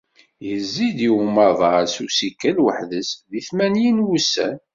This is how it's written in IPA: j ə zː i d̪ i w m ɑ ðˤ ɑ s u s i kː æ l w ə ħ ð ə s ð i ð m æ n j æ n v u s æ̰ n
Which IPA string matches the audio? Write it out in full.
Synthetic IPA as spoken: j ə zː i d̪ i w m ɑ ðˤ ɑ s u s i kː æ l w ə ħ ð ə s ð i θ m æ n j i n w u s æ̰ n